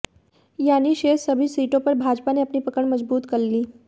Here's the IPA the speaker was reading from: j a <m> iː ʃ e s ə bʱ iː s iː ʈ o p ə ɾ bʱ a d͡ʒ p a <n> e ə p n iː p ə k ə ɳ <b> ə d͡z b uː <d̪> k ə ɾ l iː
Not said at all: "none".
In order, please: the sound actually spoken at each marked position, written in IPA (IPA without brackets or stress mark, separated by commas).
n, n, m, t̪